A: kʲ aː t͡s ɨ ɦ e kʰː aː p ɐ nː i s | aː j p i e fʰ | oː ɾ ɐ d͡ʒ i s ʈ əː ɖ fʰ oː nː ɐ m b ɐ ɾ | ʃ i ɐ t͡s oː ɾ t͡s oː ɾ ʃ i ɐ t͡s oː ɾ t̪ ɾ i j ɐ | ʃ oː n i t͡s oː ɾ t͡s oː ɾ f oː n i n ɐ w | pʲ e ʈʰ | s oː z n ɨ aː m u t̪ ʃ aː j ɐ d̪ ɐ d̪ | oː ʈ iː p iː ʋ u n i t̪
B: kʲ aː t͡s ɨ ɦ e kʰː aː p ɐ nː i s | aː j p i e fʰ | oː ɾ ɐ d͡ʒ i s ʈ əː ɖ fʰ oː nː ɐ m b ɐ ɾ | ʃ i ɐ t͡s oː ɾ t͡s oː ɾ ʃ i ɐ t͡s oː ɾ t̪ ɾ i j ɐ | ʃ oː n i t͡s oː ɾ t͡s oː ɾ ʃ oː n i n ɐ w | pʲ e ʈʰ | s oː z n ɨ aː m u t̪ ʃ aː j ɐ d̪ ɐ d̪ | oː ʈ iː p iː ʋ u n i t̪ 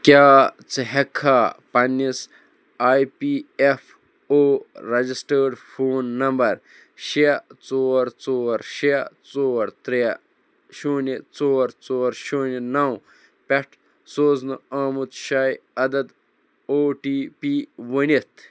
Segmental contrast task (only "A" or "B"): B